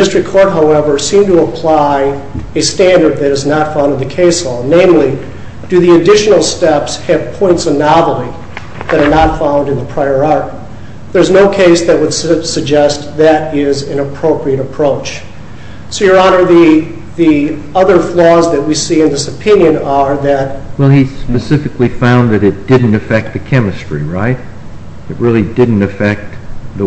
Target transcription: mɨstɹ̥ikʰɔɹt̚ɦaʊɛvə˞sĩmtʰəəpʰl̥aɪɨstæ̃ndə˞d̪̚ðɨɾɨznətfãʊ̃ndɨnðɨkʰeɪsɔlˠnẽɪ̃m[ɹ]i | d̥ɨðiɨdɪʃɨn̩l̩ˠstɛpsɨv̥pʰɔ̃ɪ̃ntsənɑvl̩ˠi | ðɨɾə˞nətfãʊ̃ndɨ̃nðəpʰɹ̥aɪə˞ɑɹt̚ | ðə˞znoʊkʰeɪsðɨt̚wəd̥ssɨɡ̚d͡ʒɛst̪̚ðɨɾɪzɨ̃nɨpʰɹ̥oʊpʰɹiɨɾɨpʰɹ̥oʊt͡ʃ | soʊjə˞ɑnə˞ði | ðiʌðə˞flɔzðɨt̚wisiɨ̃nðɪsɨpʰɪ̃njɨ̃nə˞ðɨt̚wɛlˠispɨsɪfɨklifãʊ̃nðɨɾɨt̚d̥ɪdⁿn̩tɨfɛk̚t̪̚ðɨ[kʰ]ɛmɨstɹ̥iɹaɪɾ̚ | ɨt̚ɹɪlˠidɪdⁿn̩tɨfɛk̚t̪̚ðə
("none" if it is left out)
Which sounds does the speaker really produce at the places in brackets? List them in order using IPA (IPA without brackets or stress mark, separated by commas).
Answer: l, kʰ